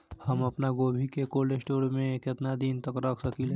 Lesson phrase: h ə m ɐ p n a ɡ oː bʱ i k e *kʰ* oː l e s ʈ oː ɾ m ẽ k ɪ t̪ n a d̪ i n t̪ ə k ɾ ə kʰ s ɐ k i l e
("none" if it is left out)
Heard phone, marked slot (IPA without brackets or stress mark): k